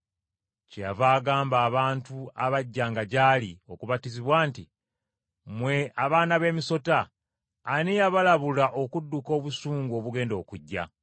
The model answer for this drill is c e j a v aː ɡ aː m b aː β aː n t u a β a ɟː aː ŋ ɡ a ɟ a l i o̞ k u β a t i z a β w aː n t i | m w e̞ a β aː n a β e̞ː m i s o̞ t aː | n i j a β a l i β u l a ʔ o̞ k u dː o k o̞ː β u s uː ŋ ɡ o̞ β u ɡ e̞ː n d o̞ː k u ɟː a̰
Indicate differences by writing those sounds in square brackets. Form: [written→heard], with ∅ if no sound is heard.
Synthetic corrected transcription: c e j a v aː ɡ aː m b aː β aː n t u a β a ɟː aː ŋ ɡ a ɟ a l i o̞ k u β a t i z [a→i] β w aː n t i | m w e̞ a β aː n a β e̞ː m i s o̞ t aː | n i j a β a l [i→a] β u l a ʔ o̞ k u dː [o→u] k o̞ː β u s uː ŋ ɡ o̞ β u ɡ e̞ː n d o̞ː k u ɟː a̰

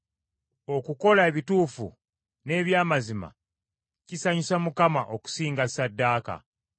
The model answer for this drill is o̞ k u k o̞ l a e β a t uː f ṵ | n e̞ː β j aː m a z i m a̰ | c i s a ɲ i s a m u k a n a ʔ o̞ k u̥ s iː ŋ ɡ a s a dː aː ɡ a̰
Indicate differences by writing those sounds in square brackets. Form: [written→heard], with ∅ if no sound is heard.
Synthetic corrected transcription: o̞ k u k o̞ l a e β [a→i] t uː f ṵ | n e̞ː β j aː m a z i m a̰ | c i s a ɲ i s a m u k a [n→m] a ʔ o̞ k u̥ s iː ŋ ɡ a s a dː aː [ɡ→k] a̰

